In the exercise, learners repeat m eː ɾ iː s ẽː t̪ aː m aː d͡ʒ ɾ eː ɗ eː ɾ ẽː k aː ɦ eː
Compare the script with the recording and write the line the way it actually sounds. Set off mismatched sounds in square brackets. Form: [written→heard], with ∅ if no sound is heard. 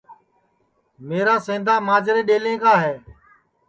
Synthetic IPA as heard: m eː ɾ [iː→aː] s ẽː [t̪→d̪] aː m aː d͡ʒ ɾ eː ɗ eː [ɾ→l] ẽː k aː ɦ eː